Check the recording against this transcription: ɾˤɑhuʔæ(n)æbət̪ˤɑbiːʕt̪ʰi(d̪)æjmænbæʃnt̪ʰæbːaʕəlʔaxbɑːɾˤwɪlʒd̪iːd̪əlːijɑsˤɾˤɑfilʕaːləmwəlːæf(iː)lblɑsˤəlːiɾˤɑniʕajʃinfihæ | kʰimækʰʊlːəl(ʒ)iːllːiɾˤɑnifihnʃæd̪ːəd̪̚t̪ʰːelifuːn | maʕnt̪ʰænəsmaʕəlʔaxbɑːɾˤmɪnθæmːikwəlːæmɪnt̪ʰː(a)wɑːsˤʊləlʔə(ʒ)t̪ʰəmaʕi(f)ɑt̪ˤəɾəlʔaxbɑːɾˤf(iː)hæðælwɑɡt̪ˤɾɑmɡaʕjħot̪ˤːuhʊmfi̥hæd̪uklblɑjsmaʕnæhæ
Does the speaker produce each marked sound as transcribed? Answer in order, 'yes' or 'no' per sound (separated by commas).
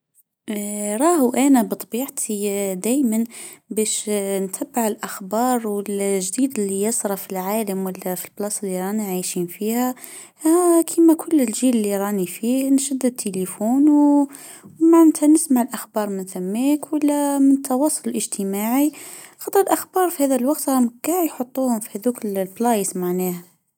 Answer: yes, yes, no, yes, no, yes, no, no